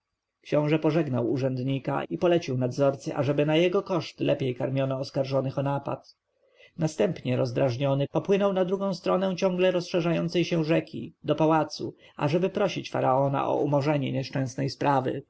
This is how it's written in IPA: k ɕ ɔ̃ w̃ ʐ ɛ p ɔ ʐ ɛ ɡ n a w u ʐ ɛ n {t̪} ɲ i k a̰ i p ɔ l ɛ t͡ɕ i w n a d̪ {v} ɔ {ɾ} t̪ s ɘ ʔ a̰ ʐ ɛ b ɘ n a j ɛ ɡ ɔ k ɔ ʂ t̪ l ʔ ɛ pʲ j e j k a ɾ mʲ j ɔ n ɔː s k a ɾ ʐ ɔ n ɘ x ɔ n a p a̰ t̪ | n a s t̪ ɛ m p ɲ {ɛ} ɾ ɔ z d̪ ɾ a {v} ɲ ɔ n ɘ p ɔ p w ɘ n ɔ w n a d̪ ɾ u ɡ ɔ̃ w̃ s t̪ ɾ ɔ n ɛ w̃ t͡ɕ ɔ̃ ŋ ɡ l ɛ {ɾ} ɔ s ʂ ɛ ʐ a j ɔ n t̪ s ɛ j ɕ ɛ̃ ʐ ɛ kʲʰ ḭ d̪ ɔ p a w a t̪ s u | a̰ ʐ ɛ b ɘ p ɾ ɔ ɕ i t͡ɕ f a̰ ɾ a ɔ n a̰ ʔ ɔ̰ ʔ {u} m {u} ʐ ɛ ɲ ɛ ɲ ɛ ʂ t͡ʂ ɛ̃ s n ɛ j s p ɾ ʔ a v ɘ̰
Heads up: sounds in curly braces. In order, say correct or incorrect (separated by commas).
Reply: incorrect, incorrect, correct, correct, incorrect, correct, correct, incorrect